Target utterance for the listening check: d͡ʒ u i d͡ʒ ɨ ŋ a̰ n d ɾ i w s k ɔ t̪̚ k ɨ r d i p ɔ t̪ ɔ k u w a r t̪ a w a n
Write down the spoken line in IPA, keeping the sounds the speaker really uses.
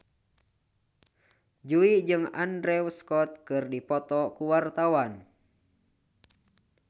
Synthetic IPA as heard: d͡ʒ u i d͡ʒ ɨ ŋ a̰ n d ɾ ɛ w s k ɔ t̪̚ k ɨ r d i p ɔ t̪ ɔ k u w a r t̪ a w a n